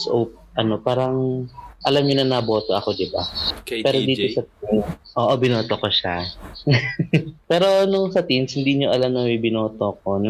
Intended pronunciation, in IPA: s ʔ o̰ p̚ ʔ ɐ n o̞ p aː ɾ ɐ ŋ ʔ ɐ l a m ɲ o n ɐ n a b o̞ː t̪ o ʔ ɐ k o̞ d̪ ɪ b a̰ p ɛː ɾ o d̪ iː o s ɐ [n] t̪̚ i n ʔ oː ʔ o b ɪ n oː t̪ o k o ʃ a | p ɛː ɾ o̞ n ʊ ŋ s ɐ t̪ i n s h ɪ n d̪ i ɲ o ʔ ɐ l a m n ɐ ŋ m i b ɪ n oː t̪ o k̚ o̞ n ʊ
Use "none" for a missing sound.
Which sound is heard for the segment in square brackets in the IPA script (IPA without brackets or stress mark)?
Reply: none